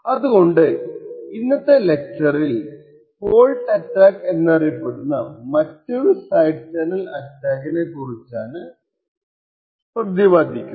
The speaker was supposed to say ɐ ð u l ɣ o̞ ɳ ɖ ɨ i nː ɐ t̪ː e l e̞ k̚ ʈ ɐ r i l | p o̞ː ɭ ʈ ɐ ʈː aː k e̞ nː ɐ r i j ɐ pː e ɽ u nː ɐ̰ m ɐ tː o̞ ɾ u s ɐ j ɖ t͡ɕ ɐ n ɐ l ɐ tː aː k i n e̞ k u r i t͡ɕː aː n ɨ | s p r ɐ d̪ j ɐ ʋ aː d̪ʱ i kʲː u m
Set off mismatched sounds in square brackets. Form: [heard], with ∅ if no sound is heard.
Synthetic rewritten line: ɐ ð u [∅] ɣ o̞ ɳ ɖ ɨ i nː ɐ t̪ː e l e̞ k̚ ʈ ɐ r i l | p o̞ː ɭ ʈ ɐ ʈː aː k e̞ nː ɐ r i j ɐ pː e ɽ u nː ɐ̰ m ɐ tː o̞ ɾ u s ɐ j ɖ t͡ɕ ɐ n ɐ l ɐ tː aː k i n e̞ k u r i t͡ɕː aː n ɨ | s p r ɐ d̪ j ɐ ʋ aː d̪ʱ i kʲː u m